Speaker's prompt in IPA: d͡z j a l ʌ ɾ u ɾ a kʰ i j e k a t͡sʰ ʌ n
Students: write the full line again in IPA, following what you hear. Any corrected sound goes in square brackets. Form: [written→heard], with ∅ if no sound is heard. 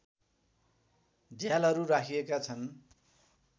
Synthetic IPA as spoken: d͡z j a l ʌ ɾ u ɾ a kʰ i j e k a t͡sʰ ʌ n